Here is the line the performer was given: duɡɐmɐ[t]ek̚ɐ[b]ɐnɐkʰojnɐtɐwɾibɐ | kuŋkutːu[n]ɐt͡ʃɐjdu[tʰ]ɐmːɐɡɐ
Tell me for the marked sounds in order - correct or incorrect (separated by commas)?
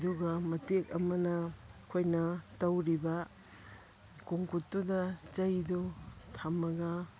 correct, incorrect, incorrect, correct